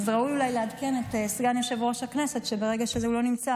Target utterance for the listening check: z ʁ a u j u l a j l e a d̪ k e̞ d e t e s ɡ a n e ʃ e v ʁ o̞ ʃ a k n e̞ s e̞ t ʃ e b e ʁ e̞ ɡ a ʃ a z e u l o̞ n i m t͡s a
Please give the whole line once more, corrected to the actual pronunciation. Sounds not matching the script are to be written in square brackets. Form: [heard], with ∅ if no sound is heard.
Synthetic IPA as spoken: z ʁ a u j u l a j l e a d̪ k e̞ [n] e t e s ɡ a n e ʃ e v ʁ o̞ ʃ a k n e̞ s e̞ t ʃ e b e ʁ e̞ ɡ a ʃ [e] z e u l o̞ n i m t͡s a